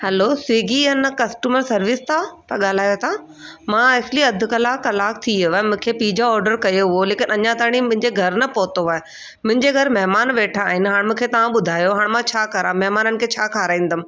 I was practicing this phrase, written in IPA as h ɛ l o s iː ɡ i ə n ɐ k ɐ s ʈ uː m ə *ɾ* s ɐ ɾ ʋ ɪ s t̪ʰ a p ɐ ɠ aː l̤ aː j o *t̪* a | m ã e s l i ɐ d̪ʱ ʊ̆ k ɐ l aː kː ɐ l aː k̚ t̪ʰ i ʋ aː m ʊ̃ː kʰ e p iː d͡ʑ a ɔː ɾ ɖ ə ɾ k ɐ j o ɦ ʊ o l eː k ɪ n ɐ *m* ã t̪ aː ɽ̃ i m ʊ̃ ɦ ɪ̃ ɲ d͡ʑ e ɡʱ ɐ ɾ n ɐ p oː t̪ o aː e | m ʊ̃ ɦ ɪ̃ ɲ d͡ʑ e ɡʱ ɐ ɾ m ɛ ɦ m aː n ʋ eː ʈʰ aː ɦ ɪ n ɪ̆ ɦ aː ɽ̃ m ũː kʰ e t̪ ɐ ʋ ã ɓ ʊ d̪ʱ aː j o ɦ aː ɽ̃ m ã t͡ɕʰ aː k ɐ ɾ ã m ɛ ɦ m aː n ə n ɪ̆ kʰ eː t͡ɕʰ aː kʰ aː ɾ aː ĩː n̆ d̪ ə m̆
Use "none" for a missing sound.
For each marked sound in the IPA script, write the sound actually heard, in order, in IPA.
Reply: ɾ, t̪ʰ, ɲ

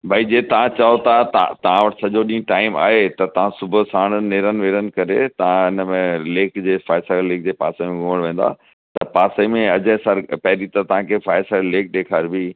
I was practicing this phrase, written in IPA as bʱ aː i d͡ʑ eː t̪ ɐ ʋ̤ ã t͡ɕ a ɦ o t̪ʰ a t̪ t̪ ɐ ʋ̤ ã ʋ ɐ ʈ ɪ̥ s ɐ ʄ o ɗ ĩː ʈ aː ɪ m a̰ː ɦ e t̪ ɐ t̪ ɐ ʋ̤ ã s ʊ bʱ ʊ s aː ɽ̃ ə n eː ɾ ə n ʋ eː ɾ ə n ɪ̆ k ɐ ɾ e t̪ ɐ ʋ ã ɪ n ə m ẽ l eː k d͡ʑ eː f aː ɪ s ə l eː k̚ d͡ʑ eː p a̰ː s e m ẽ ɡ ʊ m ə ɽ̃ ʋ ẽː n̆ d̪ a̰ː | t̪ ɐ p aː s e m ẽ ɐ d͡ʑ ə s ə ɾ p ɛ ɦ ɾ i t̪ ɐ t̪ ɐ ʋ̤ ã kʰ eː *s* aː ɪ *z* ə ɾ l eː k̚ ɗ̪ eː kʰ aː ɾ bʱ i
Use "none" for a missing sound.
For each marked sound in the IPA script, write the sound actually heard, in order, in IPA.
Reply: f, s

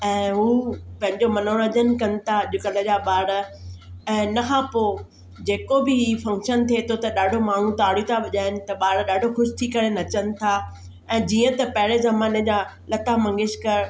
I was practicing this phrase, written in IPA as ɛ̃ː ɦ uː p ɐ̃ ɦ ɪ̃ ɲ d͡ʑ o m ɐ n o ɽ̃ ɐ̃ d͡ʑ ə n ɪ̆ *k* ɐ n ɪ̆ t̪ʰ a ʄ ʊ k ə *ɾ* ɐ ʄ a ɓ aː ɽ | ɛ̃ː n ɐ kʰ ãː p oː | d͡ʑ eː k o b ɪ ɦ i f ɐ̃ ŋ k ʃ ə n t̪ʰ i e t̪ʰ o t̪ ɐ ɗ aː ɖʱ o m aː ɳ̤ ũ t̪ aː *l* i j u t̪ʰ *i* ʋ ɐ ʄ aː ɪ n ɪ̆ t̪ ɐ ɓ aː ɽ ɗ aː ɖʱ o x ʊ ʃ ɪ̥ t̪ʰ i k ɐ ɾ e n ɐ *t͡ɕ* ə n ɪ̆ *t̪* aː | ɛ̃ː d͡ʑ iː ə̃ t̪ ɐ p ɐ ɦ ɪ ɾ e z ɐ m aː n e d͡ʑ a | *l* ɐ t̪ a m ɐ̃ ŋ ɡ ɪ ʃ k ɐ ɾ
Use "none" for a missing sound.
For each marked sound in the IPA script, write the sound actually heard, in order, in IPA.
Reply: k, l, ɽ, a, t͡ɕ, t̪ʰ, l

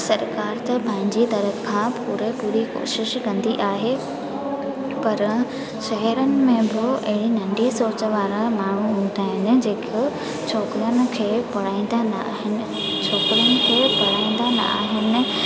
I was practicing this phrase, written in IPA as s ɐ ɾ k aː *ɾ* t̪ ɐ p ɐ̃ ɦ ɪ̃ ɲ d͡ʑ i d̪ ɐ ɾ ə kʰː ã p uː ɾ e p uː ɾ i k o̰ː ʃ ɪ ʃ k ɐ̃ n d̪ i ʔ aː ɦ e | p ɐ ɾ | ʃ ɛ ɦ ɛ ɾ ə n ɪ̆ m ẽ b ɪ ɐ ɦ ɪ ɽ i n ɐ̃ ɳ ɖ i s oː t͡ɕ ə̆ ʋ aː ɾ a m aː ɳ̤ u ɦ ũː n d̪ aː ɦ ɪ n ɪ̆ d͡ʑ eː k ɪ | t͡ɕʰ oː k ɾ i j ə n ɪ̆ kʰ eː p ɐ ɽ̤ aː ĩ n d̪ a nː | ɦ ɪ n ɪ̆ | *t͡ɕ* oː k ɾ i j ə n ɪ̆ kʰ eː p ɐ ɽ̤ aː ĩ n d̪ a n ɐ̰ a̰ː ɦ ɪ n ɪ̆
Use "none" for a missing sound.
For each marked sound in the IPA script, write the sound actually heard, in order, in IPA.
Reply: ɾ, t͡ɕʰ

